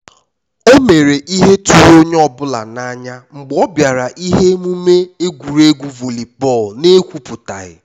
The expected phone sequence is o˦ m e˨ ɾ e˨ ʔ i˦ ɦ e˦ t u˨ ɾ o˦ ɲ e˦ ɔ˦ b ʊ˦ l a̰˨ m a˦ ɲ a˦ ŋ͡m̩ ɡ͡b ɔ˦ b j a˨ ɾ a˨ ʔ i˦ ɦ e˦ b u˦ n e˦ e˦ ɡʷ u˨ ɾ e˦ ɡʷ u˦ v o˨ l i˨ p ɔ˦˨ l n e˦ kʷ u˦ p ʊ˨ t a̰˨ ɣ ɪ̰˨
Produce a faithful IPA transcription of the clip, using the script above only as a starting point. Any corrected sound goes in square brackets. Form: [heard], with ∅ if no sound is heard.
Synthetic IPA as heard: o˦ m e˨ ɾ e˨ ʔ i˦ ɦ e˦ t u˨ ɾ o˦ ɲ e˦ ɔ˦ b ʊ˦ l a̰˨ [n] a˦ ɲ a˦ ŋ͡m̩ ɡ͡b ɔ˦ b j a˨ ɾ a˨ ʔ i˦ ɦ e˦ [m] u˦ [m] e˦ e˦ ɡʷ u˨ ɾ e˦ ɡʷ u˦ v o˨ l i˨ p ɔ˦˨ l n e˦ kʷ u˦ p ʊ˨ t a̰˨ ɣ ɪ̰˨